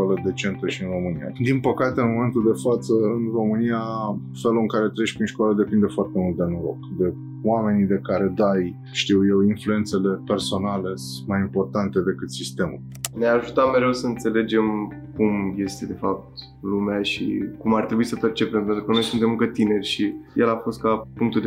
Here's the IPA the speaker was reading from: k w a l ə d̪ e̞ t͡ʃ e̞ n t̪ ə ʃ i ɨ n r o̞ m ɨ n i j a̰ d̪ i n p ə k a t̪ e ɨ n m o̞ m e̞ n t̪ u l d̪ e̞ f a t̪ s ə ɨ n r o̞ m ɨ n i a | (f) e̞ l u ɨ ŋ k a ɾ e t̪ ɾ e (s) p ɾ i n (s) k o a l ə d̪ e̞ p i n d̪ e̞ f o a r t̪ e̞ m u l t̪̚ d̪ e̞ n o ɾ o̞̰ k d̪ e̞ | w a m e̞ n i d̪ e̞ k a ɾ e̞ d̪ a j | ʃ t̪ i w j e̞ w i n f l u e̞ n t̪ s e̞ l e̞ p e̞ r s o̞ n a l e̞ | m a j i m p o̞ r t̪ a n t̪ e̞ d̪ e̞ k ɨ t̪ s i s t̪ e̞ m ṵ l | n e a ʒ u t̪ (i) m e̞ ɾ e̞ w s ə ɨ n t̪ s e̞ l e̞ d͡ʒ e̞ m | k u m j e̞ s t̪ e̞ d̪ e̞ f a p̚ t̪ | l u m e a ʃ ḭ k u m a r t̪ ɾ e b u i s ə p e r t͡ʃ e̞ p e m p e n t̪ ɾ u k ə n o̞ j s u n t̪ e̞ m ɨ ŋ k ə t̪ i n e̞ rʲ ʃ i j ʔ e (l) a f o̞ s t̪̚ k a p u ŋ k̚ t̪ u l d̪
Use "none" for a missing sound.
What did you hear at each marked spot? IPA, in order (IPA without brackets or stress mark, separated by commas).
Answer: f, ʃ, ʃ, a, l